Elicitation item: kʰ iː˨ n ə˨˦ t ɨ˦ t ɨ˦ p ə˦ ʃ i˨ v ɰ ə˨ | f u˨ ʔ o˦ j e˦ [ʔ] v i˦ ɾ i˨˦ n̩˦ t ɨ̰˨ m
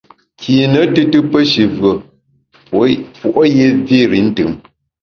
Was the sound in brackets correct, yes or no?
no